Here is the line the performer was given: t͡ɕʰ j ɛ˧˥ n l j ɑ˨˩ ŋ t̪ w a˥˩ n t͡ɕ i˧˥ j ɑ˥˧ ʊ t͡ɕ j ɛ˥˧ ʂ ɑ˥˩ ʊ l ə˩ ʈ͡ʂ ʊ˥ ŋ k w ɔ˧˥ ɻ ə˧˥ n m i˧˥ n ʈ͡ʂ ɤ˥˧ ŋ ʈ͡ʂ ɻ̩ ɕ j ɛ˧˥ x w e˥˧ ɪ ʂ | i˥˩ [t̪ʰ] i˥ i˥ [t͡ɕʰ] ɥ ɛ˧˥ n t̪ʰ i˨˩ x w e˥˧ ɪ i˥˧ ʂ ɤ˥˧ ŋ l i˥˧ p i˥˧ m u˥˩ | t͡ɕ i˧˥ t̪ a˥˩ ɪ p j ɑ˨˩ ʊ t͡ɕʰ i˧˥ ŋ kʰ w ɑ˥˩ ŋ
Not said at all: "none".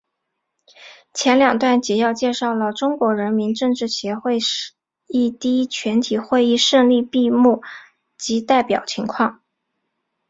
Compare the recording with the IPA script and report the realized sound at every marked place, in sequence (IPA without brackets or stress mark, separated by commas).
t̪, t͡ɕʰ